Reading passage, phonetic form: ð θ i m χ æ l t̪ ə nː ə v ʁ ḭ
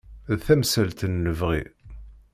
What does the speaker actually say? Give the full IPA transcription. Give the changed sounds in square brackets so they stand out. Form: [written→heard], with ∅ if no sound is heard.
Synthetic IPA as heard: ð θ [i→æ] m [χ→s] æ l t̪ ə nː ə v ʁ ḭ